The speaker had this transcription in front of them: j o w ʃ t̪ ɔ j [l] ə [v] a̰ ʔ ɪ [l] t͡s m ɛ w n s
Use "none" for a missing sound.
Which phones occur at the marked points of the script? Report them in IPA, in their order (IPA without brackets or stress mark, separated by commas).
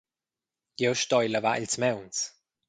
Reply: l, v, l